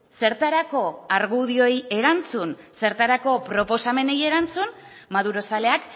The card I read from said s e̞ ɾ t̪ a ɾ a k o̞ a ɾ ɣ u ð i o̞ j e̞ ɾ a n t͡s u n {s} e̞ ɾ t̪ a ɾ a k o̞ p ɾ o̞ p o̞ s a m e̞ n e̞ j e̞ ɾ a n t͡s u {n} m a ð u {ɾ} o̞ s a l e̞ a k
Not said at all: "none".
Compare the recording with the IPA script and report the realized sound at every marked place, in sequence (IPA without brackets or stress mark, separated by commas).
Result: s, n, ɾ